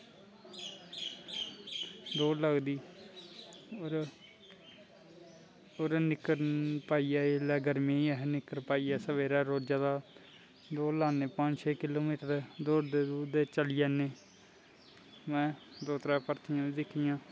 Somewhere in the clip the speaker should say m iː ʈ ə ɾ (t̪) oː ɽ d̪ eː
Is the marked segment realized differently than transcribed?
yes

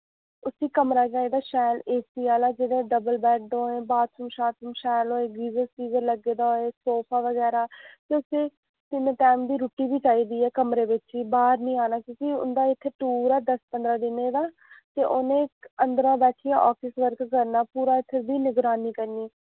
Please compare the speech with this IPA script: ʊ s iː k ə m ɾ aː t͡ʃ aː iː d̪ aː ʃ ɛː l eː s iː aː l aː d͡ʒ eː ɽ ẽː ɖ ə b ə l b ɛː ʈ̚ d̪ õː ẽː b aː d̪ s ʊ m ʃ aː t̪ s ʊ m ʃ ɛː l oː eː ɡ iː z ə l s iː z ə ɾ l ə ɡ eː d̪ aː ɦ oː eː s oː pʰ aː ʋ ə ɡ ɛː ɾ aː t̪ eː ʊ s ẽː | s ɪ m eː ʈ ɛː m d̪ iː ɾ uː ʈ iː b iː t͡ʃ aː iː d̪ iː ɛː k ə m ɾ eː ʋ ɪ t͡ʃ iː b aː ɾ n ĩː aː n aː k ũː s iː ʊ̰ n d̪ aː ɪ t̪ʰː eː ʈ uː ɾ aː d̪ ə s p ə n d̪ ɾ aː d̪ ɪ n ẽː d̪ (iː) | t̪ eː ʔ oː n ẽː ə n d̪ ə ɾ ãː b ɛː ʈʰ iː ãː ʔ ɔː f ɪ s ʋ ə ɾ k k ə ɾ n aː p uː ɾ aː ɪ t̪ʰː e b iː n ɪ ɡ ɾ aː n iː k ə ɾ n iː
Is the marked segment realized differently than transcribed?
yes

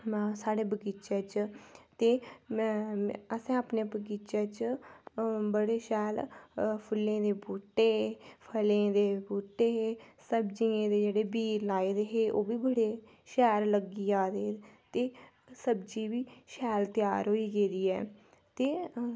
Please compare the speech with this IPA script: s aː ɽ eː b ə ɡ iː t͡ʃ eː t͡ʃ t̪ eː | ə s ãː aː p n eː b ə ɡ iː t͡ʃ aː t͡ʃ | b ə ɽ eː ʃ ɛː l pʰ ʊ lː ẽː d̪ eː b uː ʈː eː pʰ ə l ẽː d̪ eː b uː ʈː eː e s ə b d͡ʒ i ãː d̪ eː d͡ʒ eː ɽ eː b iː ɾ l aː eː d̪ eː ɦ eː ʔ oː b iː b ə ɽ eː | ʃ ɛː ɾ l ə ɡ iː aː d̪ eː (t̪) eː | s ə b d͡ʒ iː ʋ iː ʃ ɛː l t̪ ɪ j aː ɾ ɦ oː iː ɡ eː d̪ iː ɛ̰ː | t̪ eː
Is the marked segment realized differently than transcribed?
no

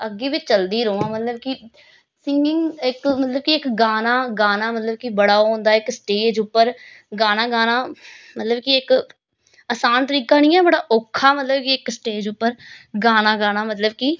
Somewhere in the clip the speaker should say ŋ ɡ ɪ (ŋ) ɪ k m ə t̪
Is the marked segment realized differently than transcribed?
no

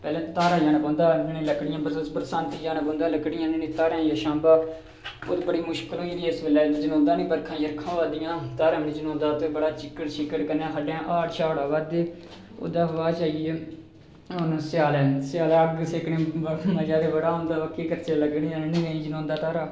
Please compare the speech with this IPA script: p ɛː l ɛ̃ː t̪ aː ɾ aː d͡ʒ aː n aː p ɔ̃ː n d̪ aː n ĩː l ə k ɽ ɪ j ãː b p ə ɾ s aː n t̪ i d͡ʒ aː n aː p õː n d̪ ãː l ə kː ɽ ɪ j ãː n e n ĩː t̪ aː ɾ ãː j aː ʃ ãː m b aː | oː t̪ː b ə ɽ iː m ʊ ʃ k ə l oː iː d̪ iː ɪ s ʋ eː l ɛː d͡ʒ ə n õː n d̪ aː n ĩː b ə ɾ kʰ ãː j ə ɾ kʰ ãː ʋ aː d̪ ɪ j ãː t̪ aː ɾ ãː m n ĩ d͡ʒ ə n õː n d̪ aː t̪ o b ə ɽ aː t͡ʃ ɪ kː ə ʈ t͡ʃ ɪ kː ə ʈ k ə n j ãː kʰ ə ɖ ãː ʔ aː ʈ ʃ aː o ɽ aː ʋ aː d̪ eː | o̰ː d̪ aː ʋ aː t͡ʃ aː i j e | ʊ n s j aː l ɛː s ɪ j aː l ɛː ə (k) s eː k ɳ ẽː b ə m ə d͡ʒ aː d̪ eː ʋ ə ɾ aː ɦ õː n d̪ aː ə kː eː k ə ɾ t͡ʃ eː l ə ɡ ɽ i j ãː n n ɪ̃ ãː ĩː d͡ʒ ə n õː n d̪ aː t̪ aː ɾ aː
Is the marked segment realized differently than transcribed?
yes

